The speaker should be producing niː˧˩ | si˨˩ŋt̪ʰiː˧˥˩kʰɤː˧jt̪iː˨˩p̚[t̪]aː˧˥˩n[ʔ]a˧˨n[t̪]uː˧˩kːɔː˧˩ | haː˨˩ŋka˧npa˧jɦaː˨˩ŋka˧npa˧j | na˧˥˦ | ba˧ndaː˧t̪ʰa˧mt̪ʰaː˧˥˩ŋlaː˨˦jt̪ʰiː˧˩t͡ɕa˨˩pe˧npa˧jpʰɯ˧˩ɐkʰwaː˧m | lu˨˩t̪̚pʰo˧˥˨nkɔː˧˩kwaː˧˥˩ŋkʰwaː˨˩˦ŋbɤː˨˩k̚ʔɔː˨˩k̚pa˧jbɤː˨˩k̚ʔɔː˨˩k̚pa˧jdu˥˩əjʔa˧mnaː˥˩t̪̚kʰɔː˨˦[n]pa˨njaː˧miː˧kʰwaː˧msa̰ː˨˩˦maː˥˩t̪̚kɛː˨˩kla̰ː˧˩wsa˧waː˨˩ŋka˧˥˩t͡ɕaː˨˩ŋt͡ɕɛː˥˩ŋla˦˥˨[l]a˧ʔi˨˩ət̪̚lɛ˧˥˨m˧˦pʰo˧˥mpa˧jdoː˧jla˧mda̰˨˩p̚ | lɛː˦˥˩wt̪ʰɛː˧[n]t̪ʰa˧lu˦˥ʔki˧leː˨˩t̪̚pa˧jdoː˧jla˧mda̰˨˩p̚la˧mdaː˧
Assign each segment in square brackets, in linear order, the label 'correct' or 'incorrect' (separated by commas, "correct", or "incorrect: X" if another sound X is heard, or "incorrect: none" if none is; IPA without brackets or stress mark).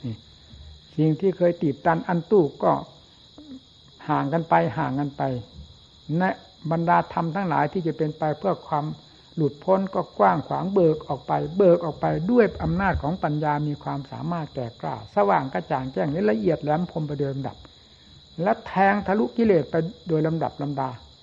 correct, correct, correct, incorrect: ŋ, correct, incorrect: ŋ